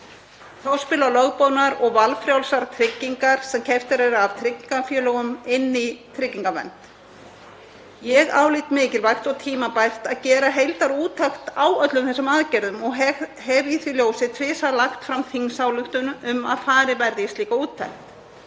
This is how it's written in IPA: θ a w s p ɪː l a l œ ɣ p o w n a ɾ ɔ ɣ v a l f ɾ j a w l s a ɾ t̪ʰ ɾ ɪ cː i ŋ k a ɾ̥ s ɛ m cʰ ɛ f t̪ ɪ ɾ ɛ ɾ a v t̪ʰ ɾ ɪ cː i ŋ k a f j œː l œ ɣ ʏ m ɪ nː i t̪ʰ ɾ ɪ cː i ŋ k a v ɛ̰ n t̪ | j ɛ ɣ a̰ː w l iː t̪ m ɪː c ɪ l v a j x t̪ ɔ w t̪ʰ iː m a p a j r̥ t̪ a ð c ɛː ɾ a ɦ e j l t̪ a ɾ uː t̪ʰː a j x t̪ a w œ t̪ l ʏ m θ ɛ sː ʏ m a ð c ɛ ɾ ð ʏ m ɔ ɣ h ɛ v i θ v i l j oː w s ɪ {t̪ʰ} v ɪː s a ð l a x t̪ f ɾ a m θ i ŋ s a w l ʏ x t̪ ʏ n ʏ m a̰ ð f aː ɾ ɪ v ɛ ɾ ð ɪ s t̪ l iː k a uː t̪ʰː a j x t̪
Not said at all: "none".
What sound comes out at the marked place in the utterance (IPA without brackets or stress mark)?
t̪ʰ